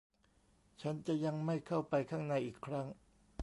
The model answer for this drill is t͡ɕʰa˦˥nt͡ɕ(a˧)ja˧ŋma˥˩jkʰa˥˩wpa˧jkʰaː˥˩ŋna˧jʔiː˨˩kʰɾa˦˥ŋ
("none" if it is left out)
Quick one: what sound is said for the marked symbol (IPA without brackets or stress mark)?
a˨˩